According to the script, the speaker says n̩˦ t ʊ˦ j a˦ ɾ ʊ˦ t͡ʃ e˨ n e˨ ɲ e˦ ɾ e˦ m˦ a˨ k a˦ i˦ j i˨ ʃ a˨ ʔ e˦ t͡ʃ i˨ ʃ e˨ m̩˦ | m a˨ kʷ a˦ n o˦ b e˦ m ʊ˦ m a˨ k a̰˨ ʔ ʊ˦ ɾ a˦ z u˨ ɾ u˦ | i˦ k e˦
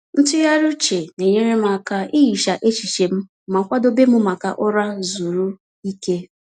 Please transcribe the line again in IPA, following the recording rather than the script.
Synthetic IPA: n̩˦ t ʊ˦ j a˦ ɾ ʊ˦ t͡ʃ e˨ n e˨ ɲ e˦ ɾ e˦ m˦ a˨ k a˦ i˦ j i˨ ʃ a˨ ʔ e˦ t͡ʃ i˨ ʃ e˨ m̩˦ | m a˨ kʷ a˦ d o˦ b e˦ m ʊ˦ m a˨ k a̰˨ ʔ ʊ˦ ɾ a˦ z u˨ ɾ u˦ | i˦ k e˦